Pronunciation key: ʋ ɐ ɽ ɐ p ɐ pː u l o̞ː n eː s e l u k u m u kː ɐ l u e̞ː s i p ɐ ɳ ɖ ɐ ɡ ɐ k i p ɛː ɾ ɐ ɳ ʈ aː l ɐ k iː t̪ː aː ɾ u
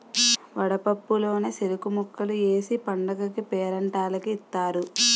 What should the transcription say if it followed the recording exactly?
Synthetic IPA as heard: ʋ ɐ ɽ ɐ p ɐ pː u l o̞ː n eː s e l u k u m u kː ɐ l u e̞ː s i p ɐ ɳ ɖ ɐ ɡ ɐ k i p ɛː ɾ ɐ ɳ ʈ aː l ɐ k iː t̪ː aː ɾ u